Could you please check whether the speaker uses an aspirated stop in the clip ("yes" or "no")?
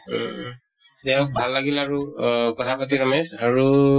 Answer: yes